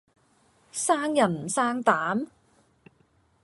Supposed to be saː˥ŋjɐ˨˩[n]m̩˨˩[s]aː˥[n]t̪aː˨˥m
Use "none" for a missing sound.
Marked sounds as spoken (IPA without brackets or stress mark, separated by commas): n, s, ŋ